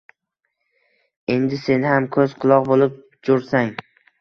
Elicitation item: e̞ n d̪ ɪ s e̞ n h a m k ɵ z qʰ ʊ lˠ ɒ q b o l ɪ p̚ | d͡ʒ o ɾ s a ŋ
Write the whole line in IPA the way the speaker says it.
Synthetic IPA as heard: e̞ n d̪ ɪ s e̞ n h a m kʰ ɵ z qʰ ʊ lˠ ɒ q b o l ɪ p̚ | d͡ʒ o ɾ s a ŋ